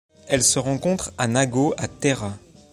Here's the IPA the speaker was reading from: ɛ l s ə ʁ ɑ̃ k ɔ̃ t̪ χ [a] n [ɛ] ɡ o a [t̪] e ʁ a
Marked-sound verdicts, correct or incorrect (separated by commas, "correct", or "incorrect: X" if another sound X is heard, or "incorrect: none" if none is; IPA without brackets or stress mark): correct, incorrect: a, correct